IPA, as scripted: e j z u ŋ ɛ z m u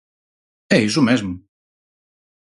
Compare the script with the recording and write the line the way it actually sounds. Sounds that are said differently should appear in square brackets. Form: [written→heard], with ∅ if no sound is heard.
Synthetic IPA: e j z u [ŋ→m] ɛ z m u